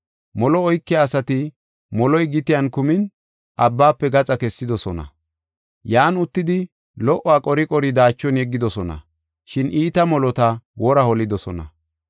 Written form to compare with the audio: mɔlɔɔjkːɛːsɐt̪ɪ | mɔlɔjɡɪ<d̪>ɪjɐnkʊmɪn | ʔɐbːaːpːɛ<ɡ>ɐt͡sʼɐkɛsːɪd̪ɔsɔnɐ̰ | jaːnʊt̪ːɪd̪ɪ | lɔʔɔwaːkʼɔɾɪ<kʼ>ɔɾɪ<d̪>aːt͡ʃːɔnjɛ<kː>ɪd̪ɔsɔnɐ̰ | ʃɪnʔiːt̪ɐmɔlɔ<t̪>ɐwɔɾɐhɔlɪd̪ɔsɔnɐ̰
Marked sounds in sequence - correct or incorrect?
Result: incorrect: t̪, correct, correct, correct, incorrect: ɡː, correct

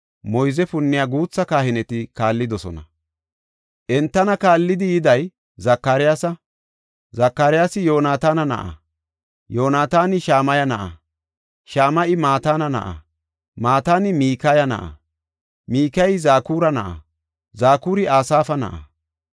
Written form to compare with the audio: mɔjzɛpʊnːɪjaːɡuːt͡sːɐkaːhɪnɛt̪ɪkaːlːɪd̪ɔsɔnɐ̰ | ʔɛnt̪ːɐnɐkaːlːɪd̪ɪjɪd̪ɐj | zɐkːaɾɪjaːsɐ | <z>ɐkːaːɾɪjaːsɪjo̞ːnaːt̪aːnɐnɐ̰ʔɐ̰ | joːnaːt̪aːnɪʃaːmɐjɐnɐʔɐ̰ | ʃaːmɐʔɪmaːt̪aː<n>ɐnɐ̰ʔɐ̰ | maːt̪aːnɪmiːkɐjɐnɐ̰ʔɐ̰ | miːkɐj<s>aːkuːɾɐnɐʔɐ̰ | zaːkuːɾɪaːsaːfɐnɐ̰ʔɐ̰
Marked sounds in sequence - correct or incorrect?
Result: correct, correct, incorrect: z

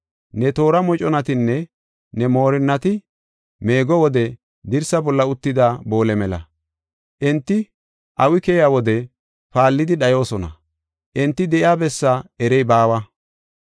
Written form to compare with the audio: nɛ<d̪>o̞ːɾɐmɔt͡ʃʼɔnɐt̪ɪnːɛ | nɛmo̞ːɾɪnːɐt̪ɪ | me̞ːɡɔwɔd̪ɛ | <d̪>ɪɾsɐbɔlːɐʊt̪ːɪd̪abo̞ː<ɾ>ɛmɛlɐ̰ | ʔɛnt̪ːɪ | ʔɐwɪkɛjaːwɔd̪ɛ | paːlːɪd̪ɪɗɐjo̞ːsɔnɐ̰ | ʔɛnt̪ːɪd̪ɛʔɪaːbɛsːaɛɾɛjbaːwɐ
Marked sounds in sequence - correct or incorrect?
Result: incorrect: t̪, correct, incorrect: l

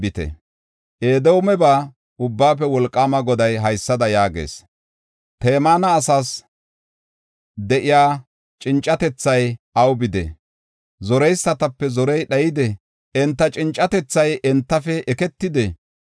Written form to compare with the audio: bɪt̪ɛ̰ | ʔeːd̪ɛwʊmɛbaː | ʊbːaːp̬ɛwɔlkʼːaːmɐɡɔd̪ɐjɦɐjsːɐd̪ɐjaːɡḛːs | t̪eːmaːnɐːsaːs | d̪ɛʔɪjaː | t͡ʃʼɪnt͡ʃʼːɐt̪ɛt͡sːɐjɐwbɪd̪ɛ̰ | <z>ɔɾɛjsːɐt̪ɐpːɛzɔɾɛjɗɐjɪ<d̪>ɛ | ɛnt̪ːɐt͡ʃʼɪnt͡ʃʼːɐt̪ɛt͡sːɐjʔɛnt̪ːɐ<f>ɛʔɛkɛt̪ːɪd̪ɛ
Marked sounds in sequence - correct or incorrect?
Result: correct, correct, correct

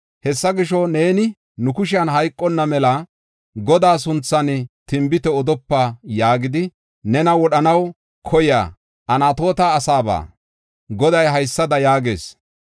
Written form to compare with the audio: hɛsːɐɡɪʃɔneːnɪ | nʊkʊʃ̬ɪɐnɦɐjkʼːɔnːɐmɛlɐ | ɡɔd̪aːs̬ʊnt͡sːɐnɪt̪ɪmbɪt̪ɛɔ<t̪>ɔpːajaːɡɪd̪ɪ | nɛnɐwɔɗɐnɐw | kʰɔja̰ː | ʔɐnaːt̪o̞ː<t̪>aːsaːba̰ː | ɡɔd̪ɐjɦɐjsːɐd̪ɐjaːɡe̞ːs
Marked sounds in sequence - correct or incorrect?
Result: incorrect: d̪, correct

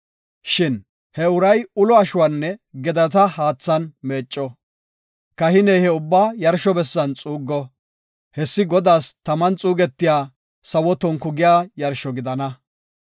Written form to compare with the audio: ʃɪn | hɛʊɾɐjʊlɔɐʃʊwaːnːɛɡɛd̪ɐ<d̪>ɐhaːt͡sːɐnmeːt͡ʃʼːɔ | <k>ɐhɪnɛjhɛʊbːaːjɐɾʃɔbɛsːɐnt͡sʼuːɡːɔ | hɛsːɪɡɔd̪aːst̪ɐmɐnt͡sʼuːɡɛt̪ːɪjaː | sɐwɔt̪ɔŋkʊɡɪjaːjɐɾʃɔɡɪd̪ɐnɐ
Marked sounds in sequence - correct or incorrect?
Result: incorrect: t̪, correct

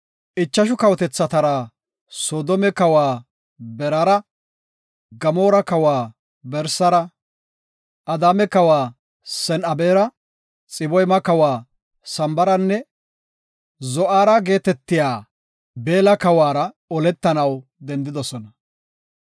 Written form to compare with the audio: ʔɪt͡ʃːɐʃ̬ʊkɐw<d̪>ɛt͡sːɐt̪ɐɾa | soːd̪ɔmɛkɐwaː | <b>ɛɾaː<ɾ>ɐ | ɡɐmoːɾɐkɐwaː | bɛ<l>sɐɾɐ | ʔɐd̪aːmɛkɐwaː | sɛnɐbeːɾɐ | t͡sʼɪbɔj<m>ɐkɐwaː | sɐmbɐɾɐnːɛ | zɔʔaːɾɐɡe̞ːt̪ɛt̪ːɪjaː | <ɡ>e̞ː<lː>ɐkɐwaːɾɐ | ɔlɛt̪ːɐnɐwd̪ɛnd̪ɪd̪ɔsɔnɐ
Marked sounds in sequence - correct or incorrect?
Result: incorrect: t̪, correct, correct, incorrect: ɾ, correct, incorrect: b, incorrect: l

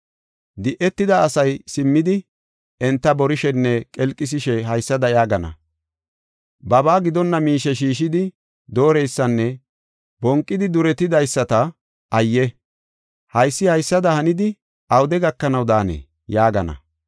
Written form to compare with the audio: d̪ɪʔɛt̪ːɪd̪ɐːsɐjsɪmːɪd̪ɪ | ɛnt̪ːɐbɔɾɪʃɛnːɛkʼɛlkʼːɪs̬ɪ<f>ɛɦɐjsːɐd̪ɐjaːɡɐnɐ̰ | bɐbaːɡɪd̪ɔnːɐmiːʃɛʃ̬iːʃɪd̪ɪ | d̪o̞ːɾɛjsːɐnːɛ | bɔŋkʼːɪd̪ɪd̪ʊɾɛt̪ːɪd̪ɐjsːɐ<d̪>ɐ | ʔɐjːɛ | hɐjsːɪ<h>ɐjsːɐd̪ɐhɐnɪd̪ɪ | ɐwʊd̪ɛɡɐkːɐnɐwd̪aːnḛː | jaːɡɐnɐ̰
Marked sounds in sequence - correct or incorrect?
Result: incorrect: ʃ, incorrect: t̪, correct

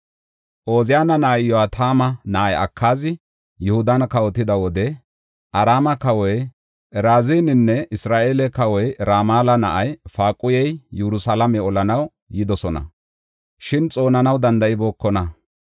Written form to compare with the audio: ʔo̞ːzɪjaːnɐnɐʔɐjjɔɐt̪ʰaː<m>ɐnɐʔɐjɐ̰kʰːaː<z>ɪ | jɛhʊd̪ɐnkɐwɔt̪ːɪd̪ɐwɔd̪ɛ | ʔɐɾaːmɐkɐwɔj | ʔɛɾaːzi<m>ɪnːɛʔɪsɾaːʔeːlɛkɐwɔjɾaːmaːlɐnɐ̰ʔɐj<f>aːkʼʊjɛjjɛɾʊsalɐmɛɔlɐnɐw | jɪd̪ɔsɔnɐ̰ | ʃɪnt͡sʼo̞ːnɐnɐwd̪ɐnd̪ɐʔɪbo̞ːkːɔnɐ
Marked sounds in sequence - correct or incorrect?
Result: correct, correct, incorrect: n, correct

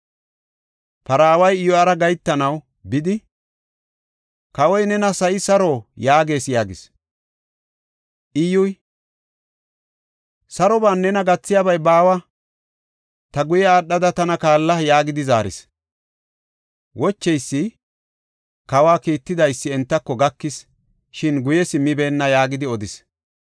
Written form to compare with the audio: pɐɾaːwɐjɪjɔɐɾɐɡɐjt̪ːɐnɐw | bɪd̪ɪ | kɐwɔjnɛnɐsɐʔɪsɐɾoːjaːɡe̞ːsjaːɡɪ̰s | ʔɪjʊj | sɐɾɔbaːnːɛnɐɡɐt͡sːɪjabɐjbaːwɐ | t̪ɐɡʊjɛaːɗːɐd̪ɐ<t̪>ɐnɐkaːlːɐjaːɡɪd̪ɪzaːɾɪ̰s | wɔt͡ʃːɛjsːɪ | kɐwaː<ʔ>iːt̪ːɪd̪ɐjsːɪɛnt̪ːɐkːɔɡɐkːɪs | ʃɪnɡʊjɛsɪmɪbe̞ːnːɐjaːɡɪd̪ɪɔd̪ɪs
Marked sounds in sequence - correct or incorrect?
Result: correct, incorrect: k

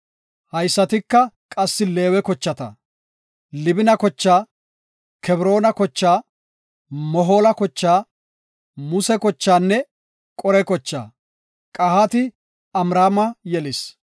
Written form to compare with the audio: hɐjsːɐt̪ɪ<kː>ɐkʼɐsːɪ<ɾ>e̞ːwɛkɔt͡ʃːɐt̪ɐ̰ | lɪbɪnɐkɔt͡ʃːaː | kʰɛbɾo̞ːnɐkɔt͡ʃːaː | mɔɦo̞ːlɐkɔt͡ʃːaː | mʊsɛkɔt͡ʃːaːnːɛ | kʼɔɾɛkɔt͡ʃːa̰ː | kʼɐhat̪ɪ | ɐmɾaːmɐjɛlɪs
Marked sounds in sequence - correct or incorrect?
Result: correct, incorrect: l

